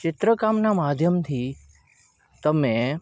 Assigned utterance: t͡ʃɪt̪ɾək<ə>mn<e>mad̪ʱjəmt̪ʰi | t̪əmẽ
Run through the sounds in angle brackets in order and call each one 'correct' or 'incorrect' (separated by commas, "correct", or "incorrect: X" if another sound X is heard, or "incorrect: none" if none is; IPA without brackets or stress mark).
incorrect: a, incorrect: a